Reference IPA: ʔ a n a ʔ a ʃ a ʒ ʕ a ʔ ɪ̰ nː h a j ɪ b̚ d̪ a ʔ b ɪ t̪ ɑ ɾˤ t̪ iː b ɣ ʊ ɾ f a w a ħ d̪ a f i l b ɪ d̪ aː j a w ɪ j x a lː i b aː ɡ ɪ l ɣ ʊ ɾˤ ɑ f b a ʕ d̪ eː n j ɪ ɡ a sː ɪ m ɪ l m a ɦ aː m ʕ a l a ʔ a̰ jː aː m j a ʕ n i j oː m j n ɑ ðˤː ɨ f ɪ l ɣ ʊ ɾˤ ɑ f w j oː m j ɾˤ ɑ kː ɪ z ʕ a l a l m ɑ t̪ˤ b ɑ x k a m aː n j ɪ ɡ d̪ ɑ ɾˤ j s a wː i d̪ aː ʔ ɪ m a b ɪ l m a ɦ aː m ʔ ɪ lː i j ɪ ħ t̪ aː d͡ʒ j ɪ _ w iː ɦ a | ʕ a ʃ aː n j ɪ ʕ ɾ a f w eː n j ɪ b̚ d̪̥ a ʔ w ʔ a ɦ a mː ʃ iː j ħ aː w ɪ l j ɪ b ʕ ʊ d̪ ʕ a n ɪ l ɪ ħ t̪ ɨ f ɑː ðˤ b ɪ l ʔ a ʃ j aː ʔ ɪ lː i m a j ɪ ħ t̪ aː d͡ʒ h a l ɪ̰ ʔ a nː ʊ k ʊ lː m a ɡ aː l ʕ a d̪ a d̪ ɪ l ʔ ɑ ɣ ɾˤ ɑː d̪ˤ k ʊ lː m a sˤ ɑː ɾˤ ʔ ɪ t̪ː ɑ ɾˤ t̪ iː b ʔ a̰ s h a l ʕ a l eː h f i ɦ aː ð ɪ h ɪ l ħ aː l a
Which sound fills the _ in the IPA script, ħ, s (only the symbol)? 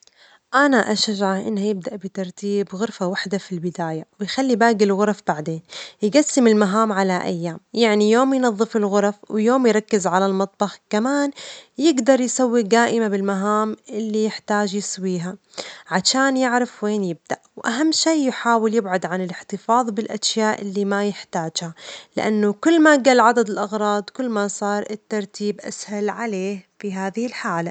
s